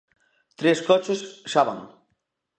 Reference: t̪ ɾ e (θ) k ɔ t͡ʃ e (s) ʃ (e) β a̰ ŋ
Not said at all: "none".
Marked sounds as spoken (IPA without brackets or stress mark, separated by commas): s, s, a